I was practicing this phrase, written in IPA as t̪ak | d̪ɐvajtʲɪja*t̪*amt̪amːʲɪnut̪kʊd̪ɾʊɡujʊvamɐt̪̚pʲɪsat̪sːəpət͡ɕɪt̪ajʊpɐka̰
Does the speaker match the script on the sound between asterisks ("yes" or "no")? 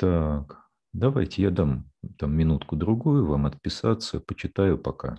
no